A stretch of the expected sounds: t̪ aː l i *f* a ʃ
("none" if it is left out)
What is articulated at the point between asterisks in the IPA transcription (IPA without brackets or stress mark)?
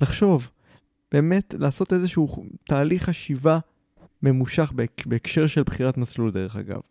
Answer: χ